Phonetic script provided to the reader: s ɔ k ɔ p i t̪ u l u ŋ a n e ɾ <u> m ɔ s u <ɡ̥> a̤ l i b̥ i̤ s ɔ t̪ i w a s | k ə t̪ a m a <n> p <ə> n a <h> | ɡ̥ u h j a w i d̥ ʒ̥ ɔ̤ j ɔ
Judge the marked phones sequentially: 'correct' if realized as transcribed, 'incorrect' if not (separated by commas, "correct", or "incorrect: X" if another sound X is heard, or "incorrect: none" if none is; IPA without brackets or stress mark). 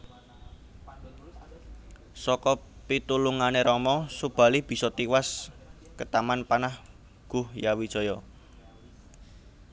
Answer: incorrect: ɔ, incorrect: b̥, correct, incorrect: a, correct